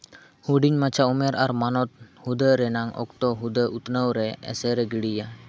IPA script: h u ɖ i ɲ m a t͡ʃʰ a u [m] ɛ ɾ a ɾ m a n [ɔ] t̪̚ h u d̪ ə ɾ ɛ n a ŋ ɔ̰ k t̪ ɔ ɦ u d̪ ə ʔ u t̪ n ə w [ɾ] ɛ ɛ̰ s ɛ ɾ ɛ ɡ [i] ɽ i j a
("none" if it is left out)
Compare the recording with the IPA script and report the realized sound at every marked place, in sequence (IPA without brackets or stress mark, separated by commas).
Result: m, ɔ, ɾ, i